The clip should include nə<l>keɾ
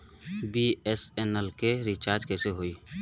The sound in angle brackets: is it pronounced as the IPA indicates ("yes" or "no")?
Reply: yes